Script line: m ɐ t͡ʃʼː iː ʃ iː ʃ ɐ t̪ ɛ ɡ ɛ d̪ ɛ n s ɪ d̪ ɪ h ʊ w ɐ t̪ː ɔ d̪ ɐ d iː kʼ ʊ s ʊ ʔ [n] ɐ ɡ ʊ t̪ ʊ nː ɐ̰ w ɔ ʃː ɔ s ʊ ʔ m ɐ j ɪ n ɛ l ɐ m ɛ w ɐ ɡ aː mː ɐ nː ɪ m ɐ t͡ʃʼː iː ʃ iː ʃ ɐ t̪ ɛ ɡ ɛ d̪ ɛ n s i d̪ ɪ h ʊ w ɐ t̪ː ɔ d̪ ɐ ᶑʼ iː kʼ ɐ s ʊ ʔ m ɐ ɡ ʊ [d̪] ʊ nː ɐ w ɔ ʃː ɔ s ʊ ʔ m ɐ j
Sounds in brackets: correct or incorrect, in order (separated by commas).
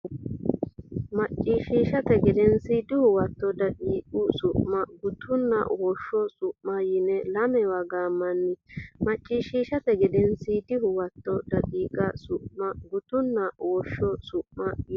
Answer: incorrect, incorrect